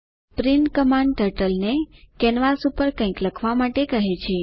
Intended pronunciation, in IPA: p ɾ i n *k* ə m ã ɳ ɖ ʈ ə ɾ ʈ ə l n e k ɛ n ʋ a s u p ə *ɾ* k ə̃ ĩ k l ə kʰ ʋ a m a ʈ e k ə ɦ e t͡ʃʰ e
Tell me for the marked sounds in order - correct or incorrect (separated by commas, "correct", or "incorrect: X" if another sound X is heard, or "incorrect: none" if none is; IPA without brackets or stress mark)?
correct, correct